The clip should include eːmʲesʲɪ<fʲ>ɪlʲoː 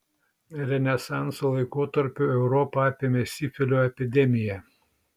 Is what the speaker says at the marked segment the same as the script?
yes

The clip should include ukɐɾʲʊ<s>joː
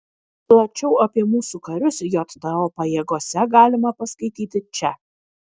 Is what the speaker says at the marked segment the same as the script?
yes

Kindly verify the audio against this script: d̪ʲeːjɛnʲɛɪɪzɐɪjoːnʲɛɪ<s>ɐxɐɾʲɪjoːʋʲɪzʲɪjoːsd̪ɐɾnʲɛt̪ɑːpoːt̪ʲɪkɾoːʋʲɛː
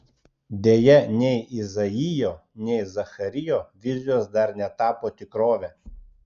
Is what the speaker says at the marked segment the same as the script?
no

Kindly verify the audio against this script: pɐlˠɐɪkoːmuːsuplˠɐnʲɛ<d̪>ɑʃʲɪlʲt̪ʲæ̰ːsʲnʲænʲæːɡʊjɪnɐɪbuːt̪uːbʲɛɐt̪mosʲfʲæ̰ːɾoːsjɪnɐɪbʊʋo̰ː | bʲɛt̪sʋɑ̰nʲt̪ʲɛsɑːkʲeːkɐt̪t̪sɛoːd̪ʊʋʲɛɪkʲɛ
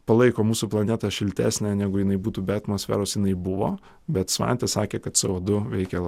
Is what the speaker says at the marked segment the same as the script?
no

